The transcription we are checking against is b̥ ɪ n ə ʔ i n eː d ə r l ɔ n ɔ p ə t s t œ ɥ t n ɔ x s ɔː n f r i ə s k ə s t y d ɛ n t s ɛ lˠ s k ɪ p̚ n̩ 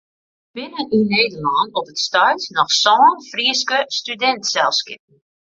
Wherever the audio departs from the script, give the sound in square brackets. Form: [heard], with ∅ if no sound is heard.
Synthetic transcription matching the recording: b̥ ɪ n ə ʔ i n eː d ə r l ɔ n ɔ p ə t s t œ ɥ t n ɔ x s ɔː n f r i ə s k ə s t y d ɛ n t s ɛ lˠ s k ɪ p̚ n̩